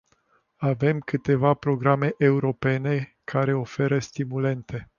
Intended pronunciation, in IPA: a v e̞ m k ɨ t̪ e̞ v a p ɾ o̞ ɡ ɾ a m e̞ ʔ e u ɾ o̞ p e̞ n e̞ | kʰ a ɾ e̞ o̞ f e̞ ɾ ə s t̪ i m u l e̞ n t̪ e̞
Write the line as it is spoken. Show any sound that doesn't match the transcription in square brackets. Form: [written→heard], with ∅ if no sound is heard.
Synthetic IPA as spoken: a v e̞ m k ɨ t̪ e̞ v a p ɾ o̞ ɡ ɾ a m e̞ ʔ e u ɾ o̞ p e̞ n e̞ | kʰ a ɾ e̞ o̞ f e̞ ɾ ə s t̪ i m u l e̞ n t̪ e̞